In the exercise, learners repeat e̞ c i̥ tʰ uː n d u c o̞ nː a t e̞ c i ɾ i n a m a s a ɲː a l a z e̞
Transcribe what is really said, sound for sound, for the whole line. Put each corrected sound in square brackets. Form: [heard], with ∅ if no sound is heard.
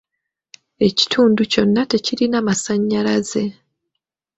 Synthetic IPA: e̞ c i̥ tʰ uː n d u c o̞ nː a t e̞ c i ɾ i n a m a s a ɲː a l a z e̞